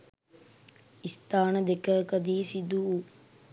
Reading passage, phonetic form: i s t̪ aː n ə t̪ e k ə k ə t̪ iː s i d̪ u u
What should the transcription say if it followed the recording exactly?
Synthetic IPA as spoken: i s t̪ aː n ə d̪ e k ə k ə d̪ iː s i d̪ u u